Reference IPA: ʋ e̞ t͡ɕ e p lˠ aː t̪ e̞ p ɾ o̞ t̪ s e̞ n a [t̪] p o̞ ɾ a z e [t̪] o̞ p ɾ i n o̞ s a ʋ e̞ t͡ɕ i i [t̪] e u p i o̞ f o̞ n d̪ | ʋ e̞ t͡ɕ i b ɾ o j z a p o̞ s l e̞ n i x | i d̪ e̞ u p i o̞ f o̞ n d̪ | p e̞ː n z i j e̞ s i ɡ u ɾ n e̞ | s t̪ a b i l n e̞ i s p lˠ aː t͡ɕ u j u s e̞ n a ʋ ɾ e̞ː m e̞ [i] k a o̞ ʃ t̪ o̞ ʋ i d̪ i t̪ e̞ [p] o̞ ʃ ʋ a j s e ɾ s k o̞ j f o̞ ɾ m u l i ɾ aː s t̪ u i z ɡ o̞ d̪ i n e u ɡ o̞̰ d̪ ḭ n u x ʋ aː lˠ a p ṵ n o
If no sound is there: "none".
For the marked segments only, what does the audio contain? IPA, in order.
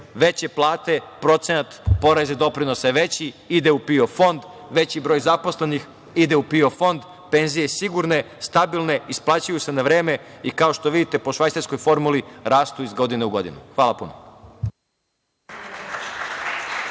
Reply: t̪, d̪, d̪, i, p

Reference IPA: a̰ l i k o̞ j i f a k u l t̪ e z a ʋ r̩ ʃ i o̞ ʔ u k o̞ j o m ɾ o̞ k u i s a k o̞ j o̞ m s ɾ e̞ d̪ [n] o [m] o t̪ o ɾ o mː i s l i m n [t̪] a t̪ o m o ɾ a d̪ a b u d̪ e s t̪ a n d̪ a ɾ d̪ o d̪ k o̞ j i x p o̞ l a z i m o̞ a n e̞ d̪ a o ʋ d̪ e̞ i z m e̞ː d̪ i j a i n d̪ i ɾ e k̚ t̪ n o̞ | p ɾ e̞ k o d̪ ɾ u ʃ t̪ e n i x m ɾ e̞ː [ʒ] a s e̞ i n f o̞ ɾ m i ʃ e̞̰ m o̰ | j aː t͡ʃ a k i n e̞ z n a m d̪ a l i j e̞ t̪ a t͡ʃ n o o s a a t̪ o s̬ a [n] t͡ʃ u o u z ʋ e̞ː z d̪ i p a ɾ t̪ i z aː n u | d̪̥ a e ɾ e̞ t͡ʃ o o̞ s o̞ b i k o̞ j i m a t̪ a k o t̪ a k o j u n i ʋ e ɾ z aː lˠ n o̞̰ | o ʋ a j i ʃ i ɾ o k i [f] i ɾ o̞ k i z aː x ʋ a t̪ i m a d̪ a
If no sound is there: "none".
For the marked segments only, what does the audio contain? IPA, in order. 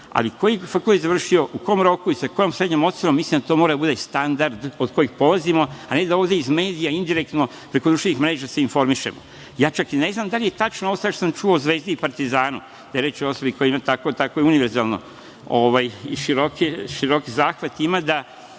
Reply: ɲ, m, d̪, ʒ, m, ʃ

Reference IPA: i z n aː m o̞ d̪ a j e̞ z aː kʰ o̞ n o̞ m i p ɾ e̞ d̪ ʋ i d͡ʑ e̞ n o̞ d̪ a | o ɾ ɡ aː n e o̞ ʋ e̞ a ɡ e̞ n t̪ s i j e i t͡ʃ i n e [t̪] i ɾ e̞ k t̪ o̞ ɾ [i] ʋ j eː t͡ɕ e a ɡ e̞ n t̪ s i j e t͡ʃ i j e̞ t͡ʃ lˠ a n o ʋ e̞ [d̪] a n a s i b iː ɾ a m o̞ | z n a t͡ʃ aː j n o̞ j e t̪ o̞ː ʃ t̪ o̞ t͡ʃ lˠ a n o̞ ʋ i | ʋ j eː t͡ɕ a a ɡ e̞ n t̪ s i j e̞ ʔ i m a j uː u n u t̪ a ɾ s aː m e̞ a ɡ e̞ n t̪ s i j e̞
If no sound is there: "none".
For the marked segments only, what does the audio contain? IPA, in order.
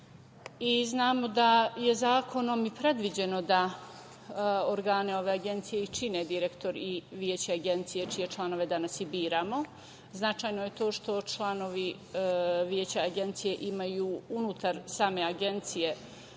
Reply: d̪, i, d̪

